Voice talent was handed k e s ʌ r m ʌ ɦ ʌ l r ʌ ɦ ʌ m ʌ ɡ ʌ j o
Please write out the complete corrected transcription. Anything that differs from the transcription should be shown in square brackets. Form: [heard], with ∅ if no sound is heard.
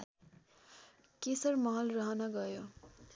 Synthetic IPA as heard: k e s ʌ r m ʌ ɦ ʌ l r ʌ ɦ ʌ [n] ʌ ɡ ʌ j o